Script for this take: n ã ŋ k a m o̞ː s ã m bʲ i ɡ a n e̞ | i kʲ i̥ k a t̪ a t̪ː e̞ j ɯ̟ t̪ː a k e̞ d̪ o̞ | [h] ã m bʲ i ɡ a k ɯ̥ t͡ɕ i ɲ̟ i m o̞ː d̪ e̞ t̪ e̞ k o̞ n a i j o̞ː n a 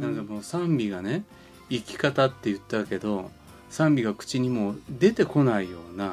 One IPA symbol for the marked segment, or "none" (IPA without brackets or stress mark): s